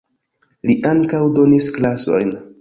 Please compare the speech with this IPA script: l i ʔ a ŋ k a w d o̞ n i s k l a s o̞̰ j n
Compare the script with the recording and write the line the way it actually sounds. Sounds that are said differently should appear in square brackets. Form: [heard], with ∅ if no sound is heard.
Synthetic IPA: l i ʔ a ŋ k a w d o̞ n i s k l a s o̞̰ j n